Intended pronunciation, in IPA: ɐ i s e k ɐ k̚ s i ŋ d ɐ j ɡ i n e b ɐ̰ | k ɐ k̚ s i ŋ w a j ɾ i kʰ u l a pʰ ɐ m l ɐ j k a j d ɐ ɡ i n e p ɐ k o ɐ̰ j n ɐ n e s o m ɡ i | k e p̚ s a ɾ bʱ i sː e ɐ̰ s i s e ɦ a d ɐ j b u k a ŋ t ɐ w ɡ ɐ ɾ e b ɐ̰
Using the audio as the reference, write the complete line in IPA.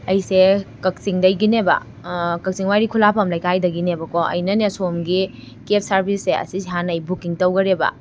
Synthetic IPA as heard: ɐ j s e k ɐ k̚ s i ŋ d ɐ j ɡ i n e b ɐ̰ | k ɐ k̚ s i ŋ w a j ɾ i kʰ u l a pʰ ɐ m l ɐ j k a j d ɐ ɡ i n e b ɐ k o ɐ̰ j n ɐ n e s o m ɡ i | k e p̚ s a ɾ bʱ i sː e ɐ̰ s i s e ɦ a n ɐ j b u k i ŋ t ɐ w ɡ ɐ ɾ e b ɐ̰

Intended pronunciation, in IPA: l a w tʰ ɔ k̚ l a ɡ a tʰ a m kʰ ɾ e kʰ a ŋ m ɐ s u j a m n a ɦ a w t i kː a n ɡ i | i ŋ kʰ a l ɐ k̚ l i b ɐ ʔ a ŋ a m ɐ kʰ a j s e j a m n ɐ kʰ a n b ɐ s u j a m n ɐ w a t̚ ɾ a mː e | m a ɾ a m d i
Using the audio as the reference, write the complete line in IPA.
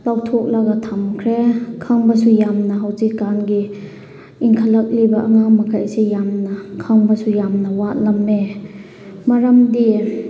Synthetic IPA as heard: l a w tʰ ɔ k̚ l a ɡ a tʰ a m kʰ ɾ e kʰ a ŋ b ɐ s u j a m n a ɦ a w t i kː a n ɡ i | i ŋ kʰ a l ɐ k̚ l i b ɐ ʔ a ŋ a m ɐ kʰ a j s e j a m n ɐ kʰ a ŋ b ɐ s u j a m n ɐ w a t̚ l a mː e | m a ɾ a m d i

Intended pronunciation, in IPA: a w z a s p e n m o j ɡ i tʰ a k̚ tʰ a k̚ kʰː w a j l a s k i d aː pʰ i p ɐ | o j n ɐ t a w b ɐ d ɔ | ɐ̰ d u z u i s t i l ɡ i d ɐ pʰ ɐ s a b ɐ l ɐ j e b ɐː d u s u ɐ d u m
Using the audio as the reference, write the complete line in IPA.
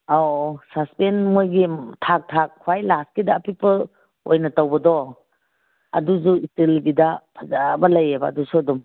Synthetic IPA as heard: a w s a s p e n m o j ɡ i tʰ a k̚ tʰ a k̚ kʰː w a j l a s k i d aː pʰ i p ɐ | o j n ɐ t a w b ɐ d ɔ | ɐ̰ d u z u i s t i l ɡ i d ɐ pʰ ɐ z a b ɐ l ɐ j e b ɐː d u s u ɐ d u m

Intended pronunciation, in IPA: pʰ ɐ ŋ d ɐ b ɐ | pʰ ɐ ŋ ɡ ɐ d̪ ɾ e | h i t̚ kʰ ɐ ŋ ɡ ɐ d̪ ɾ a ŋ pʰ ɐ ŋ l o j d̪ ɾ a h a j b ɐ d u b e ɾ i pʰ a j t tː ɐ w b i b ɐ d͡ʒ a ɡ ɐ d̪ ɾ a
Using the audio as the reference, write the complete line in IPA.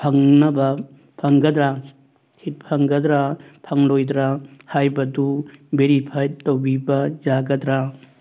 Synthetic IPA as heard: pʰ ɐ ŋ n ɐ b ɐ | pʰ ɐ ŋ ɡ ɐ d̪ ɾ a | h i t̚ pʰ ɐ ŋ ɡ ɐ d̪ ɾ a pʰ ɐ ŋ l o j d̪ ɾ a h a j b ɐ d u b e ɾ i pʰ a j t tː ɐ w b i b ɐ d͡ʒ a ɡ ɐ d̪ ɾ a

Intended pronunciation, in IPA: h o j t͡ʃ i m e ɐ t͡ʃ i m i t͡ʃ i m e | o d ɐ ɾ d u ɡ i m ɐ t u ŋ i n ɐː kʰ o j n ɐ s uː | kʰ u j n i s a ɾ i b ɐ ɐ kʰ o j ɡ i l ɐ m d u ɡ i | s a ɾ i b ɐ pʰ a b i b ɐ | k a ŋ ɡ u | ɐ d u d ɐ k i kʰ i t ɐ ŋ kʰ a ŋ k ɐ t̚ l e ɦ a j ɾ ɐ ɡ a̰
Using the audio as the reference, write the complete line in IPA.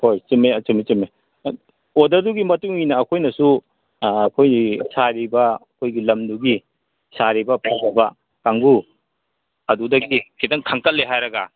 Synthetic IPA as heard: h o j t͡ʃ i m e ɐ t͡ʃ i m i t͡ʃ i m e | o d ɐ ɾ d u ɡ i m ɐ t u ŋ i n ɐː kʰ o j n ɐ s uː | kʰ o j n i s a ɾ i b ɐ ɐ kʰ o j ɡ i l ɐ m d u ɡ i | s a ɾ i b ɐ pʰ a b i b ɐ | k a ŋ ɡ u | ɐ d u d ɐ ɡ i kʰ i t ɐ ŋ kʰ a ŋ k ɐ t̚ l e ɦ a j ɾ ɐ ɡ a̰

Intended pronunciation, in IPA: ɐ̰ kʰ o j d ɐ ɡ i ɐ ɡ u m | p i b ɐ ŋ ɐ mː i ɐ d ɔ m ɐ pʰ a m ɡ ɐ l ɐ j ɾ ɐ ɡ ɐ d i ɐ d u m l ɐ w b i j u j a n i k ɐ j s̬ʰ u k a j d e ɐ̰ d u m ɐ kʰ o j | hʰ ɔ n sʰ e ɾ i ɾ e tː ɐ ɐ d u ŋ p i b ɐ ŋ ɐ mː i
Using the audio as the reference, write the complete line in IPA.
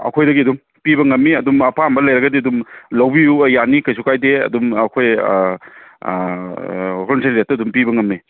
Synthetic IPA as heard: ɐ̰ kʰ o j d ɐ ɡ i ɐ d u m | p i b ɐ ŋ ɐ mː i ɐ d u m ɐ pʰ a m b ɐ l ɐ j ɾ ɐ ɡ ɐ d i ɐ d u m l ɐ w b i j u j a n i k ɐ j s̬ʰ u k a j d e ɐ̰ d u m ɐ kʰ o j | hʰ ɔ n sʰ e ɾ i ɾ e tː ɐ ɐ d u m p i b ɐ ŋ ɐ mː i

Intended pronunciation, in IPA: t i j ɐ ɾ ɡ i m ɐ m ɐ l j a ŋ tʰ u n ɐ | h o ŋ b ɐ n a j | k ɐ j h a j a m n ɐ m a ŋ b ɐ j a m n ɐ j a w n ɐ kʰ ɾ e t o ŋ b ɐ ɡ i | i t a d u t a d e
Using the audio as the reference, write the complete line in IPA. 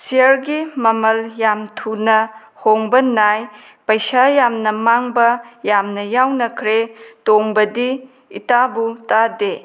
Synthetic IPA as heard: s i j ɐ ɾ ɡ i m ɐ m ɐ l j a m tʰ u n ɐ | h o ŋ b ɐ n a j | p ɐ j s a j a m n ɐ m a ŋ b ɐ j a m n ɐ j a w n ɐ kʰ ɾ e t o ŋ b ɐ d i | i t a b u t a d e

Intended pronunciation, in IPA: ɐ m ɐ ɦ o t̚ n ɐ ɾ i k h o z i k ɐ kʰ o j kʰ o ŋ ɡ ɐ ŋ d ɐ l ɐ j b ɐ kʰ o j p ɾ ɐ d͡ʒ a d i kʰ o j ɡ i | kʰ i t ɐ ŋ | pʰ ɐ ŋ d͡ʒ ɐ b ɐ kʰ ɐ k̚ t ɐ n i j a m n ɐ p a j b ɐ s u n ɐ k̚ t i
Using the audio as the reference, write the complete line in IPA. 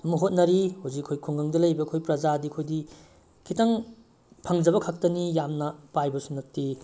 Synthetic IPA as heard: ɐ m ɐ ɦ o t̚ n ɐ ɾ i h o z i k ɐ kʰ o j kʰ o ŋ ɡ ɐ ŋ d ɐ l ɐ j b ɐ kʰ o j p ɾ ɐ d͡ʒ a d i kʰ o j d i | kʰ i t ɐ ŋ | pʰ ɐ ŋ d͡ʒ ɐ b ɐ kʰ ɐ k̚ t ɐ n i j a m n ɐ p a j b ɐ s u n ɐ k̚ t i

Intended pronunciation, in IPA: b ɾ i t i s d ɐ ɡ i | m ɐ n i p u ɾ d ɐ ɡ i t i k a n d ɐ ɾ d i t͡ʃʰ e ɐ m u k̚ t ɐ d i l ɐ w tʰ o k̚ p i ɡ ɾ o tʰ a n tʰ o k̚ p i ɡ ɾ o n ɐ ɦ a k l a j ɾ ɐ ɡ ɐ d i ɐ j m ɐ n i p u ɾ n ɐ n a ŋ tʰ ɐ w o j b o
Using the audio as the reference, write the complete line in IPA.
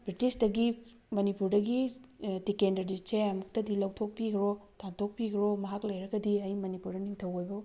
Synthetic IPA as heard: b ɾ i t i s d ɐ ɡ i | m ɐ n i p u ɾ d ɐ ɡ i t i k e n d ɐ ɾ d i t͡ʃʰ e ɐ m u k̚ t ɐ d i l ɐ w tʰ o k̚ p i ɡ ɾ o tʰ a n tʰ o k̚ p i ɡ ɾ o m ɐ ɦ a k l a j ɾ ɐ ɡ ɐ d i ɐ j m ɐ n i p u ɾ d ɐ n i ŋ tʰ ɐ w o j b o

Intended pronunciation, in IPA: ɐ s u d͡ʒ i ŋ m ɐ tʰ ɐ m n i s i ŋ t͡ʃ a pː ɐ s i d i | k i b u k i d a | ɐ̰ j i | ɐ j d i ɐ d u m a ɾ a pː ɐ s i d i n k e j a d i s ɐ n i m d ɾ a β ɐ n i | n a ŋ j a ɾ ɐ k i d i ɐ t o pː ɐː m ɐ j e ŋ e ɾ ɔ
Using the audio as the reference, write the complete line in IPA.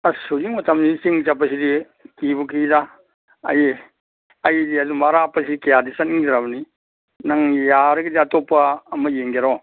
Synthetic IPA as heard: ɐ s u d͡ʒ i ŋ m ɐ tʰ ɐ m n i s i ŋ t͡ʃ a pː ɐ s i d i | k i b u k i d a | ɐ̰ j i | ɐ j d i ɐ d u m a ɾ a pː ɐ s i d i k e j a d i s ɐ n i ŋ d ɾ a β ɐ n i | n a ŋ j a ɾ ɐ ɡ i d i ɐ t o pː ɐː m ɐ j e ŋ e ɾ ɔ

